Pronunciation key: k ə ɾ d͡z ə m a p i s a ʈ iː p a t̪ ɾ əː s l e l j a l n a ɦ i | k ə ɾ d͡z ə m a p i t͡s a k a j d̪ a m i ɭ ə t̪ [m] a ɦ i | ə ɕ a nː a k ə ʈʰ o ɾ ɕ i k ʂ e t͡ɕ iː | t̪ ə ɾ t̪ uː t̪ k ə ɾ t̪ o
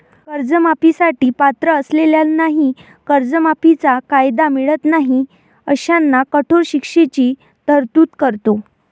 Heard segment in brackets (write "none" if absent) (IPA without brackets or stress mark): n